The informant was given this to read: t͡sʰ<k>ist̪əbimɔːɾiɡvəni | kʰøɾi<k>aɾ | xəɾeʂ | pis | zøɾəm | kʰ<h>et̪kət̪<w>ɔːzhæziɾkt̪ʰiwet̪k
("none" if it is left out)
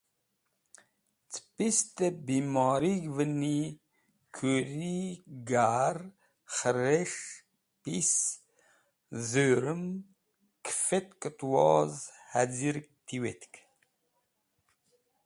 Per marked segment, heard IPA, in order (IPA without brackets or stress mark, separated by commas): p, ɡ, f, w